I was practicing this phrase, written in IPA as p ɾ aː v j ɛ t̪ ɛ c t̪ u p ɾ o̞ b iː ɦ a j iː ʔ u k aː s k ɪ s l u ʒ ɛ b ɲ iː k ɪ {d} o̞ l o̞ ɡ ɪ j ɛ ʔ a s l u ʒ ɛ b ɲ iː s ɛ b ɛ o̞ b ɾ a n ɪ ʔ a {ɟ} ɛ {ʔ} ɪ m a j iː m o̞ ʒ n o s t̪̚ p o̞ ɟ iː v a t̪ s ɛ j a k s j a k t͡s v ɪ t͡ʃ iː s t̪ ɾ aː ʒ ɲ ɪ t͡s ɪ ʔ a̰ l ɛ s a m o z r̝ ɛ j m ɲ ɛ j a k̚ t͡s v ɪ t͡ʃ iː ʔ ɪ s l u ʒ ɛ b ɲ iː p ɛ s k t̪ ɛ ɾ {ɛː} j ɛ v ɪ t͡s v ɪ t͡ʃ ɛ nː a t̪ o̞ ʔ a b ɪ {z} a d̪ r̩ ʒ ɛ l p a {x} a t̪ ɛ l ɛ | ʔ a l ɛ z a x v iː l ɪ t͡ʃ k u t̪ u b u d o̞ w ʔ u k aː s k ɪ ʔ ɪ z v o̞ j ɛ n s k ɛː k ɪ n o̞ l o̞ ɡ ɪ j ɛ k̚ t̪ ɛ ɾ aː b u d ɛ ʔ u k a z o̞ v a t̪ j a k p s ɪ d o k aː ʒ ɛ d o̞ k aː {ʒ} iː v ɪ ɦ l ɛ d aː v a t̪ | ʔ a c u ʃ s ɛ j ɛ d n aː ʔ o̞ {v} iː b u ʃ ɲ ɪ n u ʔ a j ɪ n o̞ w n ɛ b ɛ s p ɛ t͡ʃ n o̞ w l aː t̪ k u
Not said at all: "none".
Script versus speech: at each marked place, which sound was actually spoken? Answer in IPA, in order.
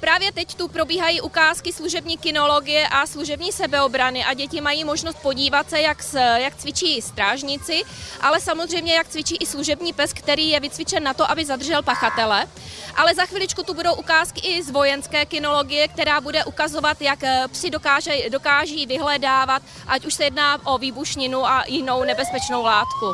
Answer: n, ɟ, c, iː, z, x, ʒ, v

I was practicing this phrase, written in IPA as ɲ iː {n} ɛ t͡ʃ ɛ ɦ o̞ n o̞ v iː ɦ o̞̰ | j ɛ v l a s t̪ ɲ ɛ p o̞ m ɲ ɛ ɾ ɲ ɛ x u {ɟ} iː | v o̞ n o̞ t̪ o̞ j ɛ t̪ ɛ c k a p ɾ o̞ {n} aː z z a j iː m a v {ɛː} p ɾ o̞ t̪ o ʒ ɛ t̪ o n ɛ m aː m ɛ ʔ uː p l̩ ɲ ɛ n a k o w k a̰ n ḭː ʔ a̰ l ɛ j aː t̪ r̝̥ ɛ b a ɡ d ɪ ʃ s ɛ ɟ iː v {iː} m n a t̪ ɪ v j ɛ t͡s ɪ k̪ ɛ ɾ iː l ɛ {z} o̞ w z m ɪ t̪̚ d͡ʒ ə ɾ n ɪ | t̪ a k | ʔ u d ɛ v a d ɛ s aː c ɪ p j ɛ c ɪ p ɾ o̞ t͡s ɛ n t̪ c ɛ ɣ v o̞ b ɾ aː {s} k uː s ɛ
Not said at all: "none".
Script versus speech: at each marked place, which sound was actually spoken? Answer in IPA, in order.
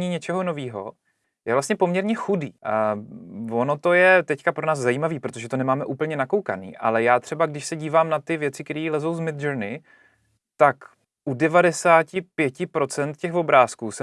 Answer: ɲ, d, n, iː, aː, z, s

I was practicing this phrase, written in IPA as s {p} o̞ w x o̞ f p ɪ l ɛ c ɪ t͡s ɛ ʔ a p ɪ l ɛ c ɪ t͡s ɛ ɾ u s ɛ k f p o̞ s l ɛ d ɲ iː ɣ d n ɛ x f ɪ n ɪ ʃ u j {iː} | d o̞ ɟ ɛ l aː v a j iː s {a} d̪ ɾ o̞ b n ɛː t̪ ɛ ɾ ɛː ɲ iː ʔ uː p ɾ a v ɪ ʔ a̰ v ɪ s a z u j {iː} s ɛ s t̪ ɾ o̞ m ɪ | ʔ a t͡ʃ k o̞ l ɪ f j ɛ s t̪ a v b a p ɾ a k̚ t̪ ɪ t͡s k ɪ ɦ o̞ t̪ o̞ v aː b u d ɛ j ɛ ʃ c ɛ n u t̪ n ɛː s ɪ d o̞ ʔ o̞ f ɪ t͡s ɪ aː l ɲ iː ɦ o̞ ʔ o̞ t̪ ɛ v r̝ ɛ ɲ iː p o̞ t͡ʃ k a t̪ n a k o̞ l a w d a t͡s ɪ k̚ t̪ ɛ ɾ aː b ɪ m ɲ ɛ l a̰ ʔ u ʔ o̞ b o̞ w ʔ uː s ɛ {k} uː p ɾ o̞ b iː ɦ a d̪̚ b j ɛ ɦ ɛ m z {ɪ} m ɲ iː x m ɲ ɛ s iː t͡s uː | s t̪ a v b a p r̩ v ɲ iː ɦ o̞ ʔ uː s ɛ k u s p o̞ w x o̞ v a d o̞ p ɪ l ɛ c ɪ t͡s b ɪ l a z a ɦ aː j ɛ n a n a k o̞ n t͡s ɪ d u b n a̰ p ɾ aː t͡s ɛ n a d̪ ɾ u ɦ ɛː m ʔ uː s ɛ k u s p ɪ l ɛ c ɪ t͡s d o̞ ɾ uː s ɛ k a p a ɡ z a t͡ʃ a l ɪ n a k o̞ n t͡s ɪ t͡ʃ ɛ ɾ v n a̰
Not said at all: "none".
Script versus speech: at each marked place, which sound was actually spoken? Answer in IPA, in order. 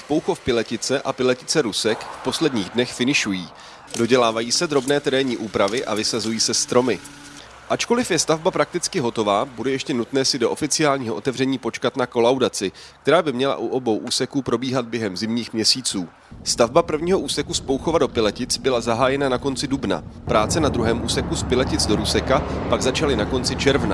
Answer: p, iː, ɛ, iː, k, ɪ

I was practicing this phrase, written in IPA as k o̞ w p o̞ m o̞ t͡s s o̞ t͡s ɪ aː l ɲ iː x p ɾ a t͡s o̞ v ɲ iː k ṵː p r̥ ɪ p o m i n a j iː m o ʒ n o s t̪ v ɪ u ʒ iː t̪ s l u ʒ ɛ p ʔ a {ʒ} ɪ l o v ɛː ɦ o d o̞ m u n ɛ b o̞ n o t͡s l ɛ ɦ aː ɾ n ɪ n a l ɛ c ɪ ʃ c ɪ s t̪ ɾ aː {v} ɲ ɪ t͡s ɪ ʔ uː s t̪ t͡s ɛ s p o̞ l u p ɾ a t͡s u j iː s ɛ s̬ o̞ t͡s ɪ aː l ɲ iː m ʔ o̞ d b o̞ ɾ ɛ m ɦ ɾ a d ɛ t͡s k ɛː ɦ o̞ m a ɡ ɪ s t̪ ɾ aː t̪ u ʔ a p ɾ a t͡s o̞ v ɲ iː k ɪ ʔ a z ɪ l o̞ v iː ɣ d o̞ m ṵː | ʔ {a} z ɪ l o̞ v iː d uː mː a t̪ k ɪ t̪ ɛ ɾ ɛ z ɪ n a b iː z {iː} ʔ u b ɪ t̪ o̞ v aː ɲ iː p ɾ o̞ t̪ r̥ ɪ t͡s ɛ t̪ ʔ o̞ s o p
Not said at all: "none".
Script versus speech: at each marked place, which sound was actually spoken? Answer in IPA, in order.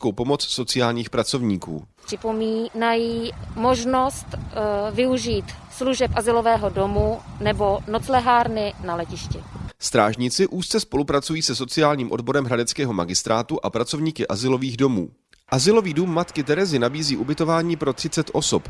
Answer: z, ʒ, a, iː

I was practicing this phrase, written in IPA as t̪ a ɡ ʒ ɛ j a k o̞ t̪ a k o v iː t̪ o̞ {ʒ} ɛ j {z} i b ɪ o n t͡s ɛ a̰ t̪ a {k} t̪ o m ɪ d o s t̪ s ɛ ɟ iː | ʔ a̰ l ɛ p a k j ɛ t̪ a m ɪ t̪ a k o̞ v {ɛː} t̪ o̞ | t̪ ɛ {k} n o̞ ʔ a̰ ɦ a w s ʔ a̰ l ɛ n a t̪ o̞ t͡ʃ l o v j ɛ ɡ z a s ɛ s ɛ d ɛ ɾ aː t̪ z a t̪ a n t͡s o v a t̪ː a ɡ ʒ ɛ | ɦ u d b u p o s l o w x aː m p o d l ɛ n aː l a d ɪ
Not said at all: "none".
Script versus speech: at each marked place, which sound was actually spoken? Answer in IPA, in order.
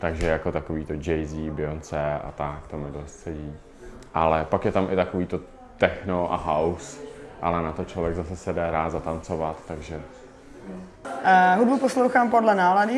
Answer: d͡ʒ, z, k, iː, x

